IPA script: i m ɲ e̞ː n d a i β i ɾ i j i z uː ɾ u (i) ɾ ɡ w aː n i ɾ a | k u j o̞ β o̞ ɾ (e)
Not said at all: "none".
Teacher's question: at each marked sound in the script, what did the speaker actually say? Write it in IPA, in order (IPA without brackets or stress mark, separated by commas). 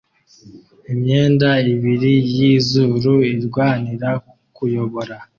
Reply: i, a